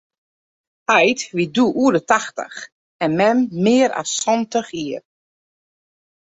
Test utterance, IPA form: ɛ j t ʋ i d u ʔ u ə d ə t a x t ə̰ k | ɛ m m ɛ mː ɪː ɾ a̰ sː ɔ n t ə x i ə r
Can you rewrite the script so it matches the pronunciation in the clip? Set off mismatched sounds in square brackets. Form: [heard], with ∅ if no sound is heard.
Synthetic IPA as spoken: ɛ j t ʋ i d u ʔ u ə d ə t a x t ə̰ [x] | ɛ [n] m ɛ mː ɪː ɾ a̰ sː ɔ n t ə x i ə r